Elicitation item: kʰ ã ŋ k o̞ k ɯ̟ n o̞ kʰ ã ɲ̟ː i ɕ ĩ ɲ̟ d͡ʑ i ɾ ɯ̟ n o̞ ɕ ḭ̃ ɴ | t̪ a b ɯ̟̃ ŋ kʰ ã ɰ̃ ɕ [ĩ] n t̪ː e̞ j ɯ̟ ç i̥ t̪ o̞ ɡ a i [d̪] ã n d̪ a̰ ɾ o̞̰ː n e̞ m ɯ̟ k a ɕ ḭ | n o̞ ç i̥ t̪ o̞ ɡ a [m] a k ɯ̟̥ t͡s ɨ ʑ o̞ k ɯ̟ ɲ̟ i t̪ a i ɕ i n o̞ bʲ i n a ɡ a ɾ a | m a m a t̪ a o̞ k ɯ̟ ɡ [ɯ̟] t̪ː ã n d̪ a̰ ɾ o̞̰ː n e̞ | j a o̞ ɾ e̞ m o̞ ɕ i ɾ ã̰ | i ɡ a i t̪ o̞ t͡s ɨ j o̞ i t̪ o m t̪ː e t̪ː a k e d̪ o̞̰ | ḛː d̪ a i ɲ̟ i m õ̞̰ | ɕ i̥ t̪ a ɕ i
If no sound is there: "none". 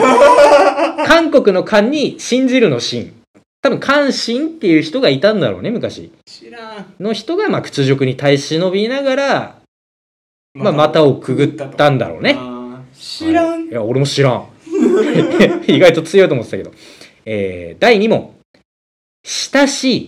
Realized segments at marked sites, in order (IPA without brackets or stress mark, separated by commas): ĩ, t̪, m, ɯ̟